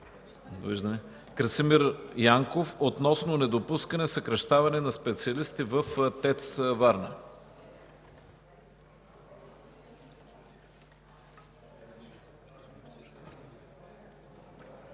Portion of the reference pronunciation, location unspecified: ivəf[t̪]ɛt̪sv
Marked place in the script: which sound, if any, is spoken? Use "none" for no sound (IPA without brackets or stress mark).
t̪